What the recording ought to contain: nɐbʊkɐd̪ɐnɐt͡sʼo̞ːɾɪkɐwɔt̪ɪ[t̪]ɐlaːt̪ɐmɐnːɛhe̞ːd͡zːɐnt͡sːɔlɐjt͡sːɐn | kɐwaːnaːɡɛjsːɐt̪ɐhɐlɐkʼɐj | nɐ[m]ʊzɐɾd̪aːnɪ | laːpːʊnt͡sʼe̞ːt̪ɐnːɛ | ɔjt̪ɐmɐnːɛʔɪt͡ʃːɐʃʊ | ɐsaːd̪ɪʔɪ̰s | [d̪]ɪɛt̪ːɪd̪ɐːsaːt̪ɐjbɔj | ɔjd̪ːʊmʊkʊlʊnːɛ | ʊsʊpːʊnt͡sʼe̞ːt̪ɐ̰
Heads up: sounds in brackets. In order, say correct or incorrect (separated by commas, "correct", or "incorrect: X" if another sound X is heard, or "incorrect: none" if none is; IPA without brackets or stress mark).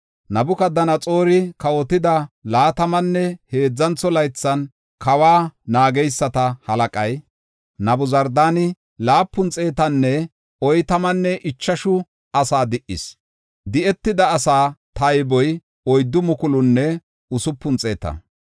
incorrect: d̪, incorrect: b, correct